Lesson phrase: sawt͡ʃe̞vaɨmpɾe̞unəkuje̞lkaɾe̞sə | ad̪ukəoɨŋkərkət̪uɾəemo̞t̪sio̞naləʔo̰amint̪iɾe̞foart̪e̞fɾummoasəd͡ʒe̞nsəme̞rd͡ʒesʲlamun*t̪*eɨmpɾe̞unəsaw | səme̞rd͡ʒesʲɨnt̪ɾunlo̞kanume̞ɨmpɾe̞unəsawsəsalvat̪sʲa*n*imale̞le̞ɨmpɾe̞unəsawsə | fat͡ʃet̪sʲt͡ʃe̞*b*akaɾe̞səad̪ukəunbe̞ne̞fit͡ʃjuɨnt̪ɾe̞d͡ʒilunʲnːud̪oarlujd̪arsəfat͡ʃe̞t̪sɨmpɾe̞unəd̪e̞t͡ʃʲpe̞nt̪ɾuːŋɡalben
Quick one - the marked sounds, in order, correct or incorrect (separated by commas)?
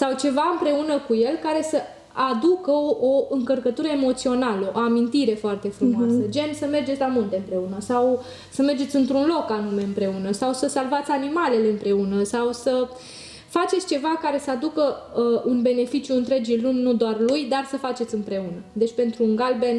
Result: correct, correct, incorrect